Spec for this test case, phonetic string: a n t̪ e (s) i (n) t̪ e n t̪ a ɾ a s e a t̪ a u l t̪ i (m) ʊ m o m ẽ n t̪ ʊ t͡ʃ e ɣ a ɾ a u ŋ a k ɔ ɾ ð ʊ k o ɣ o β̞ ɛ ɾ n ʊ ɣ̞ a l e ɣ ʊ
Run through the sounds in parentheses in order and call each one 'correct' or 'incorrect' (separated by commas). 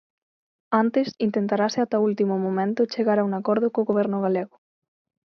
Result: correct, correct, correct